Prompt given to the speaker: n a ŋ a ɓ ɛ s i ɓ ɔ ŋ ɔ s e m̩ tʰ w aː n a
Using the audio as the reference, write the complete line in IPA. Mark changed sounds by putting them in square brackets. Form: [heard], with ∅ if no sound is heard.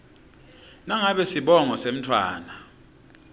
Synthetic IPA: n a ŋ a ɓ ɛ s i ɓ ɔ ŋ ɔ s e m̩ tʰ w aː n a